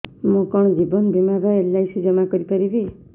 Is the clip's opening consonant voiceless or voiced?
voiced